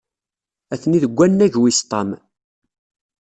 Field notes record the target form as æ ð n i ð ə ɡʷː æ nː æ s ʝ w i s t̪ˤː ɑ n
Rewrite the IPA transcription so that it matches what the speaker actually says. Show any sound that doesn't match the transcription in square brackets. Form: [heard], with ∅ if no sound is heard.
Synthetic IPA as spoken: æ [θ] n i ð ə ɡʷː æ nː æ [∅] ʝ w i s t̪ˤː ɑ [m]